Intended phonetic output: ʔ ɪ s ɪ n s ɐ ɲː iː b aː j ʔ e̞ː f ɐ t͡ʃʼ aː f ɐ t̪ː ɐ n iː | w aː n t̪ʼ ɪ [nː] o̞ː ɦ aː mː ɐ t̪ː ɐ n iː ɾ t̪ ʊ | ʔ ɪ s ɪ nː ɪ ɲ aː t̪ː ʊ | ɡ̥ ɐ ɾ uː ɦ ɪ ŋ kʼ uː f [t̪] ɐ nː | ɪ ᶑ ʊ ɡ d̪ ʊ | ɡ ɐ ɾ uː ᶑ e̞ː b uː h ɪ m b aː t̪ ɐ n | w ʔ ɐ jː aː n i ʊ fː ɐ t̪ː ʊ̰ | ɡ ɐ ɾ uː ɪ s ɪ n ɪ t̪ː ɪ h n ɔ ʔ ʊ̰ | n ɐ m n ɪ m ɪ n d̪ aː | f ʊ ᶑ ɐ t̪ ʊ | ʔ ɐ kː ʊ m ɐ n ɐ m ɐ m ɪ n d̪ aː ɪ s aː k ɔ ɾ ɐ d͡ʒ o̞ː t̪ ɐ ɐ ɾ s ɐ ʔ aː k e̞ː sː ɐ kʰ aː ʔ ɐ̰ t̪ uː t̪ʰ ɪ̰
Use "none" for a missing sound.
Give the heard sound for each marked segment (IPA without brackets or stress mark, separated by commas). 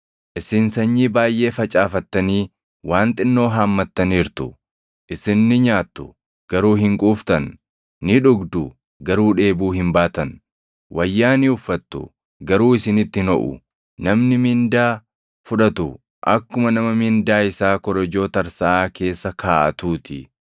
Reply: nː, t̪